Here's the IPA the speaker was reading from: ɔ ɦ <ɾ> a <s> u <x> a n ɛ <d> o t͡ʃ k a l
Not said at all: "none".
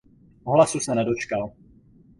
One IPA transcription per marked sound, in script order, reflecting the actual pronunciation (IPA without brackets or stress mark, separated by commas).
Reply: l, s, s, d